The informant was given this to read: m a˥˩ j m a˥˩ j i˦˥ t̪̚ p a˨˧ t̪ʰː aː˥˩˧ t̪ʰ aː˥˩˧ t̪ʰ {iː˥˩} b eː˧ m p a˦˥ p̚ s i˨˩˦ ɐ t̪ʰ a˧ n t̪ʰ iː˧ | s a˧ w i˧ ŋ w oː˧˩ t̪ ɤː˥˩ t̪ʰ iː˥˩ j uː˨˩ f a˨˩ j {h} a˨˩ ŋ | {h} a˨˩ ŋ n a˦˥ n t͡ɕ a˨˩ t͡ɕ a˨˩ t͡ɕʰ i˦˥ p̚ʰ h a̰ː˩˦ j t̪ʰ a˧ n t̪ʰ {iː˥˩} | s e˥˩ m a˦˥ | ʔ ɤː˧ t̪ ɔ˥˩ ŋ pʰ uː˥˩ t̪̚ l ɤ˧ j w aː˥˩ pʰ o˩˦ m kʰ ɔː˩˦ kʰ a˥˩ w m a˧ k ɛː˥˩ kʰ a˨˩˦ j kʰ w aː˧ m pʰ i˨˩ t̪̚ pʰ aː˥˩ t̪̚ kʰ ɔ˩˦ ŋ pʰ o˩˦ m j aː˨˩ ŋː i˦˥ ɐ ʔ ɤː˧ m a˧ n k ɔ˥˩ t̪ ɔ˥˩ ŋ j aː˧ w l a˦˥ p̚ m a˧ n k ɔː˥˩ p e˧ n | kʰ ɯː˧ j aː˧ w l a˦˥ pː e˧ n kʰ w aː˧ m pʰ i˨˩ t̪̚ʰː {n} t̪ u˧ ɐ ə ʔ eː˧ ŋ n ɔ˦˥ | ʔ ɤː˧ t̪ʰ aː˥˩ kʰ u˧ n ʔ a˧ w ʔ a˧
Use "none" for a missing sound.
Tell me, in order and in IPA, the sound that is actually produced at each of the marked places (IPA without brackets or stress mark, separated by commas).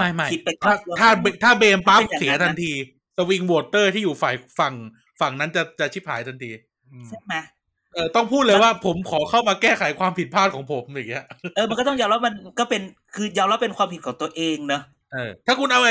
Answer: aː˥˩, f, f, iː˧, ŋ